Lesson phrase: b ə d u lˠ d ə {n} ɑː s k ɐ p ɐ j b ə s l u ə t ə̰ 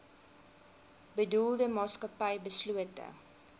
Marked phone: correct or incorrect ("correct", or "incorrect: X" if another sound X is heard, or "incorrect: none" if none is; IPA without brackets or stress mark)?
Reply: incorrect: m